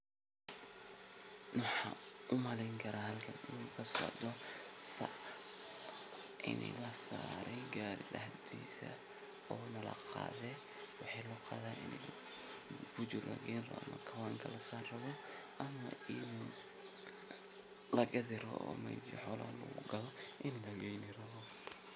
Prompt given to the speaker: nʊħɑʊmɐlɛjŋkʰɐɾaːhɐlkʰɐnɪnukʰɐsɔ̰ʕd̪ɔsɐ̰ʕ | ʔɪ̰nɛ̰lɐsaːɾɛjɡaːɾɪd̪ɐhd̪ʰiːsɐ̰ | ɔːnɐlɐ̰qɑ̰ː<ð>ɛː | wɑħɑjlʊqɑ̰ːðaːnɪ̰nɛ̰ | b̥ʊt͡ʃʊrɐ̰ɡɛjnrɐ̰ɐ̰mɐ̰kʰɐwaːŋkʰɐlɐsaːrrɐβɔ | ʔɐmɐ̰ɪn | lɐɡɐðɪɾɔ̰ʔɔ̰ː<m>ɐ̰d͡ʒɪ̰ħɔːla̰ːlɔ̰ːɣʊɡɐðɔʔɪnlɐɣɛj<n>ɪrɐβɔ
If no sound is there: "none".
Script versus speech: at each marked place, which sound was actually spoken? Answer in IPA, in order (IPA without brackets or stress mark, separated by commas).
ð, m, n